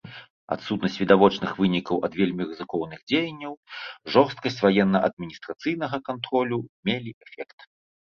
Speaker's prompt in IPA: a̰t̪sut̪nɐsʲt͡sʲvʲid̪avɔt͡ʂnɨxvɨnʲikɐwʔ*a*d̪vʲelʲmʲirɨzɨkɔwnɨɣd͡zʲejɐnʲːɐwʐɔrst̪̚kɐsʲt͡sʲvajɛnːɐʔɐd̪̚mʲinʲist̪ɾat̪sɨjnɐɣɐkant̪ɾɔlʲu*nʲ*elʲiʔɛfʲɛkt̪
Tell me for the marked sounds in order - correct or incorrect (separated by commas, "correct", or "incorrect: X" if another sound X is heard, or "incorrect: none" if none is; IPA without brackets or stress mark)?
incorrect: ɐ, incorrect: mʲ